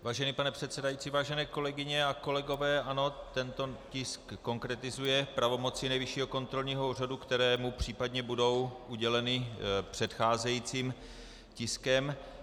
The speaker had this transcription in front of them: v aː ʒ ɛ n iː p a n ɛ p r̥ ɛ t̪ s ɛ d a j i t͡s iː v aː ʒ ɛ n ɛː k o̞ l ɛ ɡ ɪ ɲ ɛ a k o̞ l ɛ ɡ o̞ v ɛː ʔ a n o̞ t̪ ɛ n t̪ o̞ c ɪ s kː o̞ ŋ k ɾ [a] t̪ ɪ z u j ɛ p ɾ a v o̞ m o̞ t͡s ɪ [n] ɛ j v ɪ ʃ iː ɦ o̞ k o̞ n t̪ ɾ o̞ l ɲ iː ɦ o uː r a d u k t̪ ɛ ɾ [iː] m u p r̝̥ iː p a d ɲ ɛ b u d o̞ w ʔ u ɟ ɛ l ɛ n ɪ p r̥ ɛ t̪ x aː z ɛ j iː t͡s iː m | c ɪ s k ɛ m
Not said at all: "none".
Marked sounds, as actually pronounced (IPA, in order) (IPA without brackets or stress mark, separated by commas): ɛ, n, ɛː